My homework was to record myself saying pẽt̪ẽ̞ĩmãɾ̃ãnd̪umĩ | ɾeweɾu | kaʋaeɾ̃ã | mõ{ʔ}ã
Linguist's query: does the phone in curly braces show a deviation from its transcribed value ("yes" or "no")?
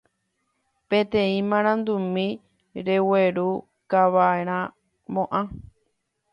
no